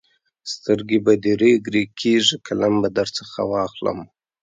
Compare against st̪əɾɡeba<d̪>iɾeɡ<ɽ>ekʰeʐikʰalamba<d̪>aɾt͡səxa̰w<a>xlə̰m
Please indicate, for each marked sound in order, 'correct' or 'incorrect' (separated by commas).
correct, incorrect, correct, incorrect